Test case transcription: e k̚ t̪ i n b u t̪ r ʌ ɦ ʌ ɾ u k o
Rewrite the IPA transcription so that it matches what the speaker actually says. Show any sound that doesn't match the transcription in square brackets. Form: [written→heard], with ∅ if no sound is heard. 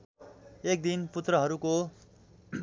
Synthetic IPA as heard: e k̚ [t̪→d̪] i n [b→p] u t̪ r ʌ ɦ ʌ ɾ u k o